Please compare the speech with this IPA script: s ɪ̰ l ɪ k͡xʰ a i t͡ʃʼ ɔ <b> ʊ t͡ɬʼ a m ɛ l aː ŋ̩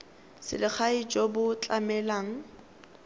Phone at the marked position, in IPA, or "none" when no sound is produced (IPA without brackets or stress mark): b